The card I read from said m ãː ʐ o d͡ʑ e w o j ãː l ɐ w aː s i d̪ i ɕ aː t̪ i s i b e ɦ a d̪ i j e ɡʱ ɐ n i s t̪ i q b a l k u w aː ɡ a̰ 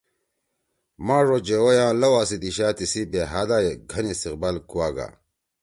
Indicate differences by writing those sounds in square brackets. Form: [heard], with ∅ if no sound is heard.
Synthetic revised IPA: m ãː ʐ o d͡ʑ e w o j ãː l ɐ w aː s i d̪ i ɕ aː t̪ i s i b e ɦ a d̪ [a] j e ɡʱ ɐ n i s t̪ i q b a l k u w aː ɡ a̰